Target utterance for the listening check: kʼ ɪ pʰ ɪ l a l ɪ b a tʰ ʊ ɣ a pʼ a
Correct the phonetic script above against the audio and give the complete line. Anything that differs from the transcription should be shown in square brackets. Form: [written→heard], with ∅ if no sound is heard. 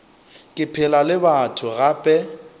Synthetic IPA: kʼ ɪ pʰ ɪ l a l ɪ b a tʰ ʊ ɣ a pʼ [a→ɛ]